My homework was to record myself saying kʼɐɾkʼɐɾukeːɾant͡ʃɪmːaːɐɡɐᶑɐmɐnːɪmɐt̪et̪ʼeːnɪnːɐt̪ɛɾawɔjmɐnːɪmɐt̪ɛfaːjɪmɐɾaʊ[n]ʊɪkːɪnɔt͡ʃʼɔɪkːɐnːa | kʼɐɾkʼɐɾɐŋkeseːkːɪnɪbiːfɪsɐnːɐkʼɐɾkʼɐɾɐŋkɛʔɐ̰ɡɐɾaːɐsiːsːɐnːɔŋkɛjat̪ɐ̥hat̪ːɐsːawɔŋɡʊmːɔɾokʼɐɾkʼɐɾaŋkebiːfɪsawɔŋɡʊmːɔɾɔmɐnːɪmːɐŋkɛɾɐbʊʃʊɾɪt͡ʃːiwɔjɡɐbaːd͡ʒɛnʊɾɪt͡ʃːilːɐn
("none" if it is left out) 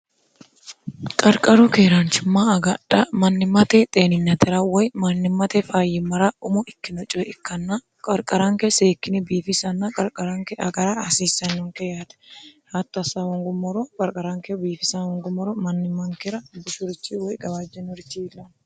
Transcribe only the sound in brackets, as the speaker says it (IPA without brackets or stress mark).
m